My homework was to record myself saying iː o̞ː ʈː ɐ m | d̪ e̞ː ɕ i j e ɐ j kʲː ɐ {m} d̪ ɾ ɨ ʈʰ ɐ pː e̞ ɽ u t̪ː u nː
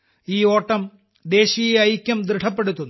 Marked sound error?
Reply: no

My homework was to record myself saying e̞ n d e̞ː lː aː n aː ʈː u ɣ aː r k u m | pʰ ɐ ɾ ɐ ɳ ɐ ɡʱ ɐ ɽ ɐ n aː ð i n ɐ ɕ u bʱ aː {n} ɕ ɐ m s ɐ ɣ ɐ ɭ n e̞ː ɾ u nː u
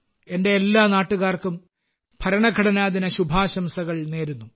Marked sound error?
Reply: yes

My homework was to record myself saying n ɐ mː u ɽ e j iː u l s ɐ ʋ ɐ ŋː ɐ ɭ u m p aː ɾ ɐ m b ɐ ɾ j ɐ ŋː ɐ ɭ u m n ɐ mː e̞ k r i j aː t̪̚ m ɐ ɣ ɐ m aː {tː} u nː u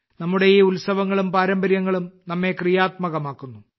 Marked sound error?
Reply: yes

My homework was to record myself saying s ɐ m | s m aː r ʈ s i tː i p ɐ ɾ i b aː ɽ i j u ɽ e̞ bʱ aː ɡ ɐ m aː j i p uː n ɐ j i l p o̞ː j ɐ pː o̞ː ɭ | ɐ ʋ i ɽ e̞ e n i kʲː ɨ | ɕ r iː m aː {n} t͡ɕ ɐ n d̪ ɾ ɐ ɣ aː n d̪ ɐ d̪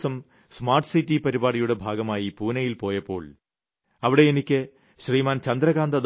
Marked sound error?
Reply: no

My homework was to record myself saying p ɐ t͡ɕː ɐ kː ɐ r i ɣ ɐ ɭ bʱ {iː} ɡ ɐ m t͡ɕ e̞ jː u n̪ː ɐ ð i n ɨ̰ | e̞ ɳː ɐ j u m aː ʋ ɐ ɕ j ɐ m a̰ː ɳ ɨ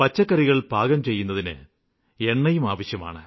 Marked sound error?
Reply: yes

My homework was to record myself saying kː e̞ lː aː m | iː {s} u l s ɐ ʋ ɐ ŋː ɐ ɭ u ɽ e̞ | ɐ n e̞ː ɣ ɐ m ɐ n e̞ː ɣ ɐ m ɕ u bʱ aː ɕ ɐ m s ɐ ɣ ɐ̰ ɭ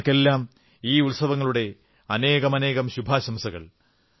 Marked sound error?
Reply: yes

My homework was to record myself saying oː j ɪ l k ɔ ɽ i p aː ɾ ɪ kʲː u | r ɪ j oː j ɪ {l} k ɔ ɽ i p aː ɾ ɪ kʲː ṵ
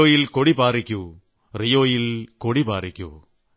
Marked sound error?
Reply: no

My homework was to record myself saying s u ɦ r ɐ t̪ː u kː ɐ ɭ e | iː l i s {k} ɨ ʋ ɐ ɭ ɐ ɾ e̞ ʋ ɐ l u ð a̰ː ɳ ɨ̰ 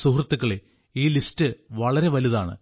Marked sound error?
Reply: yes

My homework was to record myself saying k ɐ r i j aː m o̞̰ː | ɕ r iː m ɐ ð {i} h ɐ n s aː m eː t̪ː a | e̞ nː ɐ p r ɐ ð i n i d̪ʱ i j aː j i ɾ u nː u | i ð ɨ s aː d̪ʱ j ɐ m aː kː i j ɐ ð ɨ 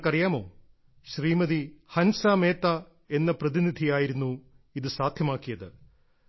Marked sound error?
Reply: no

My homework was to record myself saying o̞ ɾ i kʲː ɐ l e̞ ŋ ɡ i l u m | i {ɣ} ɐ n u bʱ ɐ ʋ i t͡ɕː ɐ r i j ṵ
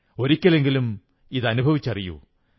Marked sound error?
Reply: yes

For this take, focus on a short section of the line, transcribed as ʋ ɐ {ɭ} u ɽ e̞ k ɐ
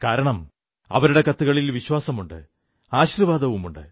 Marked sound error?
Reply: yes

